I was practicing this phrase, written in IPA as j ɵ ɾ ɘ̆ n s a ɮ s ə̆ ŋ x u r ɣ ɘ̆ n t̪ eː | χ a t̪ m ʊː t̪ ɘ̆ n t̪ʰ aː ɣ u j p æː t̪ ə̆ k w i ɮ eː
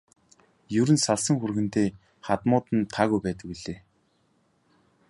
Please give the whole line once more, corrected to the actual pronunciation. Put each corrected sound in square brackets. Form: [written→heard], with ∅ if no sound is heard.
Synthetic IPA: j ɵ ɾ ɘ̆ n s a ɮ s ə̆ ŋ x u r ɣ ɘ̆ n t̪ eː | χ a t̪ m ʊː t̪ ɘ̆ n t̪ʰ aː ɣ u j p æː t̪ ə̆ k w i ɮ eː